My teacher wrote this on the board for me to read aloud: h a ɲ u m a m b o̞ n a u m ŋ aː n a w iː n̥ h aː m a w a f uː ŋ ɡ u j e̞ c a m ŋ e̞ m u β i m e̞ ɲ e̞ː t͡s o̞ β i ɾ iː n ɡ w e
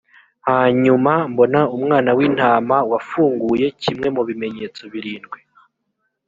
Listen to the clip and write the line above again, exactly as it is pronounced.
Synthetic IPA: h a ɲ u m a m b o̞ n a u m ŋ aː n a w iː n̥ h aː m a w a f uː ŋ ɡ u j e̞ c i m ŋ e̞ m u β i m e̞ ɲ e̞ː t͡s o̞ β i ɾ iː n ɡ w e